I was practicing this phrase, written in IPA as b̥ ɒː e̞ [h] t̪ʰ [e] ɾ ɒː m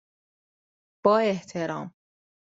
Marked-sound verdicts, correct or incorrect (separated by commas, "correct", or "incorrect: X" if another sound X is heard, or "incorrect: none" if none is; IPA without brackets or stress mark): correct, correct